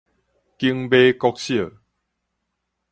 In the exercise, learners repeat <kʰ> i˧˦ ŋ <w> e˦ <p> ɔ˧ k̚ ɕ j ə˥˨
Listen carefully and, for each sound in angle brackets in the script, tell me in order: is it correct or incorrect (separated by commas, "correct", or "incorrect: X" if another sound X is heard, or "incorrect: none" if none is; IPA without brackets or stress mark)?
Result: incorrect: k, incorrect: b, incorrect: k